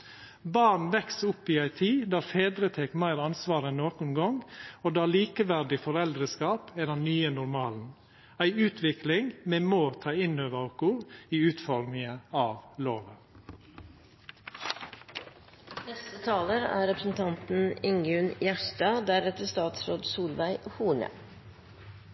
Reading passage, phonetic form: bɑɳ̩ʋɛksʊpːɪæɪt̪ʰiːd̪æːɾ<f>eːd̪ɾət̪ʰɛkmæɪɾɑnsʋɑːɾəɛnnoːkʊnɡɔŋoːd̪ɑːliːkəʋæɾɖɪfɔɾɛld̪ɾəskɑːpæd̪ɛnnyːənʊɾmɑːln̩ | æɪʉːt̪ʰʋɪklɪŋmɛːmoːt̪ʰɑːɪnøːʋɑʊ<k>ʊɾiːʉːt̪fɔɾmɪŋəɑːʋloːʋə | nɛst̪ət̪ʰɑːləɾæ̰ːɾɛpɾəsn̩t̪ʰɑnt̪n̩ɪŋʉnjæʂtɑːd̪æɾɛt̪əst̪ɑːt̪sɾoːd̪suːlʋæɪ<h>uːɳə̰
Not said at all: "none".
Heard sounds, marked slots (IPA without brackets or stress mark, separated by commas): f, k, h